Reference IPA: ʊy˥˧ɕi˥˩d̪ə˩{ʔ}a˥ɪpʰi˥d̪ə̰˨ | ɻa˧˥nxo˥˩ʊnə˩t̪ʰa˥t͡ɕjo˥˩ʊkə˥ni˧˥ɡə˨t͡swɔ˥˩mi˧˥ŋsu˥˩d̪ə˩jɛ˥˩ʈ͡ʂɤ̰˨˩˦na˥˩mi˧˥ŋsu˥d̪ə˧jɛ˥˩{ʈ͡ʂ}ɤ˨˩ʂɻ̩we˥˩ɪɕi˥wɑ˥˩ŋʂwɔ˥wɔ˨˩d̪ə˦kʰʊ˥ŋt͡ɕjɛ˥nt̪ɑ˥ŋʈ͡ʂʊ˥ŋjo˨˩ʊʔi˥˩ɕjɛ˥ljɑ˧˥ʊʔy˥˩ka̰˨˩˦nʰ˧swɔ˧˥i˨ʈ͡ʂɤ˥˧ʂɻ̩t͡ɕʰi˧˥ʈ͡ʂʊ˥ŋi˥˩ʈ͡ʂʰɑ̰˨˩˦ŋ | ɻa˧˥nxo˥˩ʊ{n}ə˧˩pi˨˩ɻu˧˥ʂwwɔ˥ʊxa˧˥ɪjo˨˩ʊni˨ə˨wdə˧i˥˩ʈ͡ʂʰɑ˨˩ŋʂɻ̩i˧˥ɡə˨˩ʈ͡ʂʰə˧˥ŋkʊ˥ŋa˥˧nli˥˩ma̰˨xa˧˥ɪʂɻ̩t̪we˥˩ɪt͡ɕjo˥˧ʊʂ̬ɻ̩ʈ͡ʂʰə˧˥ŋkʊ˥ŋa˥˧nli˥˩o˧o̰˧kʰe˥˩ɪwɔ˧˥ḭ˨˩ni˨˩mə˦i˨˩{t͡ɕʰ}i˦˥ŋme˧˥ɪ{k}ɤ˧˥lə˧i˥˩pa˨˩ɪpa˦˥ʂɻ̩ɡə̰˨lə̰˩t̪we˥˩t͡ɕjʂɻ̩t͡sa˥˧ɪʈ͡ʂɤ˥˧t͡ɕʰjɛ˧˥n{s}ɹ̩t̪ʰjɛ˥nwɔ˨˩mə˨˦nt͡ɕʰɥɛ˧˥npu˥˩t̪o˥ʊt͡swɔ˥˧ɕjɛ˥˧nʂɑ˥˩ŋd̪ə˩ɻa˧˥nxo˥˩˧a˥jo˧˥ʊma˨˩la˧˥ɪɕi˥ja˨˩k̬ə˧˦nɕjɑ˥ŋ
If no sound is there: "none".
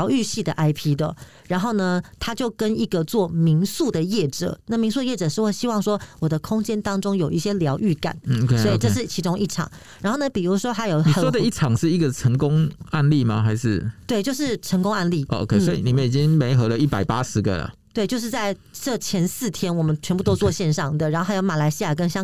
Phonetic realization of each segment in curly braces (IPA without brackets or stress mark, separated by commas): ʔ, ʈ͡ʂ, n, t͡ɕ, x, s